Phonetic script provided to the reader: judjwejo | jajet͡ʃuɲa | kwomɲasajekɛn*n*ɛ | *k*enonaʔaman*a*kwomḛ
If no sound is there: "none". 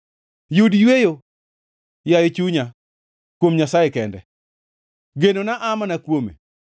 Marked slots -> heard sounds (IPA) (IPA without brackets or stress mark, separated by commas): d, ɡ, a